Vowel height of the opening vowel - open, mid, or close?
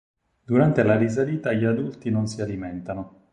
close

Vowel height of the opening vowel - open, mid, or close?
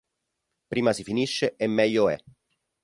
close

